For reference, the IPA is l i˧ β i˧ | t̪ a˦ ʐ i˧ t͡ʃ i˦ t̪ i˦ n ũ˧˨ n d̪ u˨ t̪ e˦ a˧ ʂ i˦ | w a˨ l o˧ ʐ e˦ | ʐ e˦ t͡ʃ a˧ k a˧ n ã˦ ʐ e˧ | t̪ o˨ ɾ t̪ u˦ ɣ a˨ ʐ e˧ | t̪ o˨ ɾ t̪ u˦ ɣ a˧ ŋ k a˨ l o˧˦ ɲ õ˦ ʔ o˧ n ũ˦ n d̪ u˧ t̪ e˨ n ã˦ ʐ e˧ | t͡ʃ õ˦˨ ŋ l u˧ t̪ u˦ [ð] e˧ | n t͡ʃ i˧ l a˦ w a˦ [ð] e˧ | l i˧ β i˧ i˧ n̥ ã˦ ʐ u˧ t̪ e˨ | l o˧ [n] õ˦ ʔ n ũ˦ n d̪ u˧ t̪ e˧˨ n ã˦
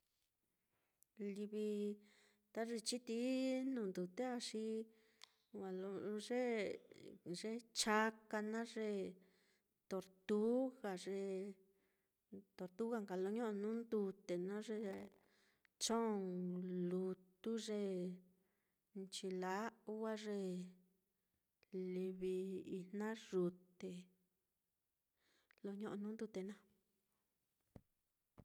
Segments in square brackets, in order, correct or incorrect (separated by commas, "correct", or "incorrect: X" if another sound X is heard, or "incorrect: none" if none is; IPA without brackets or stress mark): incorrect: ʐ, incorrect: ʐ, incorrect: ɲ